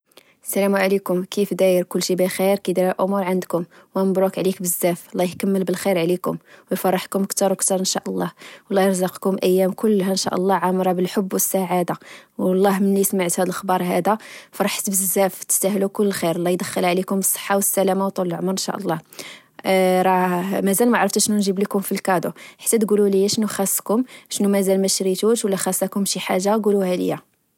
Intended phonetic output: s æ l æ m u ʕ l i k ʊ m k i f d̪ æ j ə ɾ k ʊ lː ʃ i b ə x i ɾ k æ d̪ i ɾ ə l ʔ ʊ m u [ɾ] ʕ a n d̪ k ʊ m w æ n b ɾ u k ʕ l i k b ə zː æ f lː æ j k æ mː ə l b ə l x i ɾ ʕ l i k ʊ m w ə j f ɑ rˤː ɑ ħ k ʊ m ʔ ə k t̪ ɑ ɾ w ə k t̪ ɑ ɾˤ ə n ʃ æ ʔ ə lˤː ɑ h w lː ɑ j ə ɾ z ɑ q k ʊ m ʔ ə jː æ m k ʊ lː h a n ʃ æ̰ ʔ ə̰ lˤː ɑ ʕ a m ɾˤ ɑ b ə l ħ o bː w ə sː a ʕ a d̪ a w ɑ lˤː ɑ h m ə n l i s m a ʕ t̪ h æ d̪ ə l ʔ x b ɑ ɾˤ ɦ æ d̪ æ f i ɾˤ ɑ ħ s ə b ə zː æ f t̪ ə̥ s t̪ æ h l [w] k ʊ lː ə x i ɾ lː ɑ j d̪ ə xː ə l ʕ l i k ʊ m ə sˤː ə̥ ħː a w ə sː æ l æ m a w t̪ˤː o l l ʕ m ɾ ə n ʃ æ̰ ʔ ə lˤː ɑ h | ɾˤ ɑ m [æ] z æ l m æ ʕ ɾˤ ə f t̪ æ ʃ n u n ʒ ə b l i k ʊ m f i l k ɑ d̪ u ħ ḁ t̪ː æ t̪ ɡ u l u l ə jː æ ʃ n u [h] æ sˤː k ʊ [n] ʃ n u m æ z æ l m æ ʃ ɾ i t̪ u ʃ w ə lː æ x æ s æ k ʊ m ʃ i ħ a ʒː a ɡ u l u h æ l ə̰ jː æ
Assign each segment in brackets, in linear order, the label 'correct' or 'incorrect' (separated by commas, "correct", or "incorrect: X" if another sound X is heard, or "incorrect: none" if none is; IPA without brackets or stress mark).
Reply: correct, incorrect: u, correct, incorrect: x, incorrect: m